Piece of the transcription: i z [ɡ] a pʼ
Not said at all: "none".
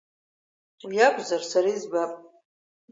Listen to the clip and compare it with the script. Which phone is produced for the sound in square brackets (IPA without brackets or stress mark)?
b